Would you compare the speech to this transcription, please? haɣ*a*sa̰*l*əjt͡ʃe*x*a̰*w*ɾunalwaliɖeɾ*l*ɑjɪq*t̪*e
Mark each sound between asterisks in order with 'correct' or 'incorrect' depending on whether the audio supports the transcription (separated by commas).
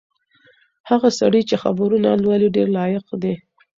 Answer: correct, incorrect, correct, incorrect, correct, incorrect